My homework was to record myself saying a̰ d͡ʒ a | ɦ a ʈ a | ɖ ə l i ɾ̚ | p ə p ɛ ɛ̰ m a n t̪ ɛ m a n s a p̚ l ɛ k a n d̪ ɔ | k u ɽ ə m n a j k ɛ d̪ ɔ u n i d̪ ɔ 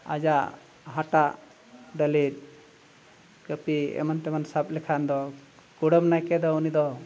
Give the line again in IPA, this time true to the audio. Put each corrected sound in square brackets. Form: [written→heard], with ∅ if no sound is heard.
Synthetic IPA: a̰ d͡ʒ a | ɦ a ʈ a | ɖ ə l i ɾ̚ | [p→k] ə p [ɛ→i] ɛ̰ m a n t̪ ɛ m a n s a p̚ l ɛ [k→kʰ] a n d̪ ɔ | k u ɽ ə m n a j k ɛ d̪ ɔ u n i d̪ ɔ